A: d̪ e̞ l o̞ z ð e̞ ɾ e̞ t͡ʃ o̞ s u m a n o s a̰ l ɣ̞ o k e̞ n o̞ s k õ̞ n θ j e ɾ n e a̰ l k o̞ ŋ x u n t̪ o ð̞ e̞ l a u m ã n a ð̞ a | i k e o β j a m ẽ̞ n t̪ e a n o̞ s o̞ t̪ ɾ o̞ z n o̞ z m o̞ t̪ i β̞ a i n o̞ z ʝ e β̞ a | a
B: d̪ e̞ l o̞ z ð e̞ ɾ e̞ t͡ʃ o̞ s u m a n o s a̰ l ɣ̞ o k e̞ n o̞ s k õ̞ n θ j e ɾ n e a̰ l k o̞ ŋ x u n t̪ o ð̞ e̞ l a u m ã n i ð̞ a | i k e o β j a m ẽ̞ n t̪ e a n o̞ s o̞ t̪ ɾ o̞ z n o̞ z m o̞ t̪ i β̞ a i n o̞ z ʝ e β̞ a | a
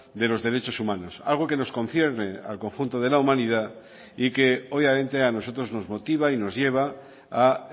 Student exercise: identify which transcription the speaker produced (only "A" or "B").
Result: B